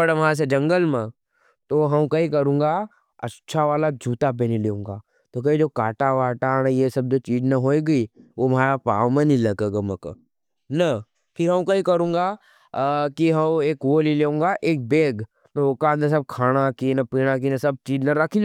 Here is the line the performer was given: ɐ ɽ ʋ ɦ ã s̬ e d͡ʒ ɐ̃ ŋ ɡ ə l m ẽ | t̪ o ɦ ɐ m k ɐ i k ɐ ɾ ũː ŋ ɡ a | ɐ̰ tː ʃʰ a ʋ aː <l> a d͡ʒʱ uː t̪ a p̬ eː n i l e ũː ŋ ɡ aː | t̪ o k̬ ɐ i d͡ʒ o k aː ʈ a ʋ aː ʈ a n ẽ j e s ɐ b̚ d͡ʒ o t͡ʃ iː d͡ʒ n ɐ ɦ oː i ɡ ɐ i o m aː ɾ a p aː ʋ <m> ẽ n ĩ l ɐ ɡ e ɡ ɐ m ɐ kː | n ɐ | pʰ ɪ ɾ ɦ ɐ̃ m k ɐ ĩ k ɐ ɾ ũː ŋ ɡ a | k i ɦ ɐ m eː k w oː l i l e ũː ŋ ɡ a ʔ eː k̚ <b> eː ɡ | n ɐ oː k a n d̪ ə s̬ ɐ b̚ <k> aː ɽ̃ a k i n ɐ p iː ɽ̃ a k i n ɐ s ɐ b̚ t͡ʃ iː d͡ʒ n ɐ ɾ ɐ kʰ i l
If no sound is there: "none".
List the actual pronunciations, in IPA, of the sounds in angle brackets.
l, m, b, kʰ

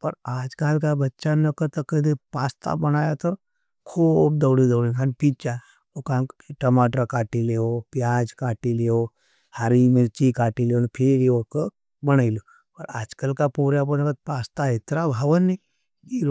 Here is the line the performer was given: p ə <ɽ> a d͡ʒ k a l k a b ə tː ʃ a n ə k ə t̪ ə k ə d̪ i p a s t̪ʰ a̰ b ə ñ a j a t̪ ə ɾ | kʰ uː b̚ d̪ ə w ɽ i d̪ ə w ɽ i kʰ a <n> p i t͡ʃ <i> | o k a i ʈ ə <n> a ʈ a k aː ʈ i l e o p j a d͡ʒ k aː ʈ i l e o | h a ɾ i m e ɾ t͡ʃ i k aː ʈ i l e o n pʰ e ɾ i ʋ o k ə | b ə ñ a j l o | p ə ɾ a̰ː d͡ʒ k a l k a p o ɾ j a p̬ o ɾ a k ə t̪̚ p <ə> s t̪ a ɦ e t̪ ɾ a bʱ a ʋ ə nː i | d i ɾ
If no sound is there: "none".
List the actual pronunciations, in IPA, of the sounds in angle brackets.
ɾ, n, a, m, a

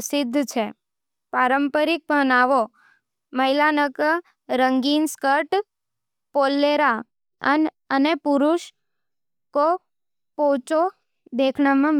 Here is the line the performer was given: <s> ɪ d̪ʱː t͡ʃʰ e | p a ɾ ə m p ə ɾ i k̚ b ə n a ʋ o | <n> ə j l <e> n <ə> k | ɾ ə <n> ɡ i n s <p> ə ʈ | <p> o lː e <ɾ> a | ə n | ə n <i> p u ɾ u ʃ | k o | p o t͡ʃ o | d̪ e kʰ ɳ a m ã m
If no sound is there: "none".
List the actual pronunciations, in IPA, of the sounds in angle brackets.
s, m, a, ə, ŋ, k, p, ɾ, e

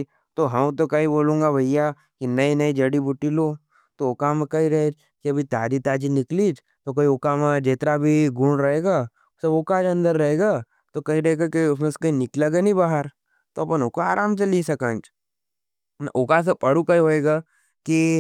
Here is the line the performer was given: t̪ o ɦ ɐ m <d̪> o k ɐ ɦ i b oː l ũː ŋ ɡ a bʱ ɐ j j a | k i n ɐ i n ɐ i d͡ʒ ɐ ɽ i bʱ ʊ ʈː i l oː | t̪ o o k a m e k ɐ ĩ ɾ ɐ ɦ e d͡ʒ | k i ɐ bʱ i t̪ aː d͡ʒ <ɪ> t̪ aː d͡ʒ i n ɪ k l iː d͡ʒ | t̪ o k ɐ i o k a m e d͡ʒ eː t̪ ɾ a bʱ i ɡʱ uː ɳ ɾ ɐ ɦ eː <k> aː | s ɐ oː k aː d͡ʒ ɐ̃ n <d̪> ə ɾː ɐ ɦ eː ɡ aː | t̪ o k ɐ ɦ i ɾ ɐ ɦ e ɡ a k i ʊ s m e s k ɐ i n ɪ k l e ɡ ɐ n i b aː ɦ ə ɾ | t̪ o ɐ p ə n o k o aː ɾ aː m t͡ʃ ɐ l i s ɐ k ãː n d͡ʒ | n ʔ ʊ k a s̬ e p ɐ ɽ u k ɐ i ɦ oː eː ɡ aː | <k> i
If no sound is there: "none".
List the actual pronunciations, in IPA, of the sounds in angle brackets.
t̪, i, ɡ, d̪, k

